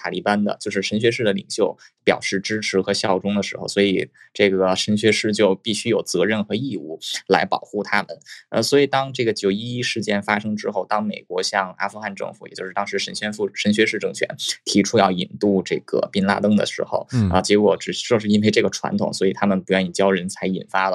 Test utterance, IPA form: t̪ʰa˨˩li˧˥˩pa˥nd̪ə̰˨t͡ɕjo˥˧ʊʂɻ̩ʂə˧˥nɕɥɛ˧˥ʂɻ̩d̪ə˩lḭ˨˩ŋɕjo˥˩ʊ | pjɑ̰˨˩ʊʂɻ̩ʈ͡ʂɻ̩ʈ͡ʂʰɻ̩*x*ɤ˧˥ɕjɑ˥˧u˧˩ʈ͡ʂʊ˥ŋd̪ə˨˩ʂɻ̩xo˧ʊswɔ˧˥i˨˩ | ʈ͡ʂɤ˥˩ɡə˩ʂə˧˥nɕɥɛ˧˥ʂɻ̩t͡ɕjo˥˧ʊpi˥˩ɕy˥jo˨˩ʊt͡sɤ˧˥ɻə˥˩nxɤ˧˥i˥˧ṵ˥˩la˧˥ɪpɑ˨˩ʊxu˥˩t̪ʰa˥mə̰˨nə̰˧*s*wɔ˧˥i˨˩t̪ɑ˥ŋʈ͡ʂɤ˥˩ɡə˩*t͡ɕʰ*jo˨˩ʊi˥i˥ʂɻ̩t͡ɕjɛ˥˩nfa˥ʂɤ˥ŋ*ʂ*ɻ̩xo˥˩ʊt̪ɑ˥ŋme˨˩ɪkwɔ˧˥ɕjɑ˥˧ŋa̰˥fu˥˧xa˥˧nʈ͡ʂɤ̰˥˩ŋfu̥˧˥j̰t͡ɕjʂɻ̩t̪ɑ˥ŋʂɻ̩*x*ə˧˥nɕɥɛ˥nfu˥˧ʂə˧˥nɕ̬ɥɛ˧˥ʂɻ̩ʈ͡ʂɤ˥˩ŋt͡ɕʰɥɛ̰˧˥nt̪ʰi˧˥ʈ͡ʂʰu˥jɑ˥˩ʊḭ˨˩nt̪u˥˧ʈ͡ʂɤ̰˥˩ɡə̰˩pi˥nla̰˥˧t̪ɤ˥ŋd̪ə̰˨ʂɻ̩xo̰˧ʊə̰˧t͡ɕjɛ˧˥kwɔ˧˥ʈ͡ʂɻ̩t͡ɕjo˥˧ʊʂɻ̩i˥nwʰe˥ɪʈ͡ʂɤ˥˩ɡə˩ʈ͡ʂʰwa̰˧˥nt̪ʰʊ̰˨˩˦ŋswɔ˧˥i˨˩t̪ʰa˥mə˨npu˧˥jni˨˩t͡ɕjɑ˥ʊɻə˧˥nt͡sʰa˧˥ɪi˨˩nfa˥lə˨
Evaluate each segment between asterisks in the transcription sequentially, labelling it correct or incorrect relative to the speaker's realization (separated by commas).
correct, correct, incorrect, incorrect, incorrect